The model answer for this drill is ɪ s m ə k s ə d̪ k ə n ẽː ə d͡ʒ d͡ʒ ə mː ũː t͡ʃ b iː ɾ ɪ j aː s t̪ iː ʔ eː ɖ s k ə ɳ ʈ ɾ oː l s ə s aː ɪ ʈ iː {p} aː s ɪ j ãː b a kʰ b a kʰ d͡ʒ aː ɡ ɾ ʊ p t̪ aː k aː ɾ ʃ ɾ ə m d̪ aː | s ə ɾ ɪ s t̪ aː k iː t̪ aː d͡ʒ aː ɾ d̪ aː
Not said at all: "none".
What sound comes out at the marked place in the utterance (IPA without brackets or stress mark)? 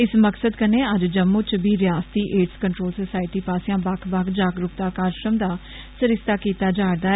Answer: p